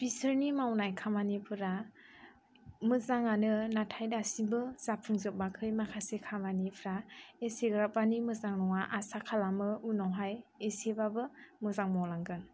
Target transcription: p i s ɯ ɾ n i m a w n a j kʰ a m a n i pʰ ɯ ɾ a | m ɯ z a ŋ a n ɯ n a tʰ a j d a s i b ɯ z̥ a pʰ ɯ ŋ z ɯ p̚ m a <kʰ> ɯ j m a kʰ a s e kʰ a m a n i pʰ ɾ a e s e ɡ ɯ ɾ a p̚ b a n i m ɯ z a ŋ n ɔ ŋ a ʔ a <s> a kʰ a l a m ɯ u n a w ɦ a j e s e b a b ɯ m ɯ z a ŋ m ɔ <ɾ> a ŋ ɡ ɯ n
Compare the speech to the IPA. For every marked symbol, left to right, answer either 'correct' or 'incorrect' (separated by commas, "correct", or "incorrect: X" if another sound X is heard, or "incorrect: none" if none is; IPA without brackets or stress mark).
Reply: correct, correct, incorrect: l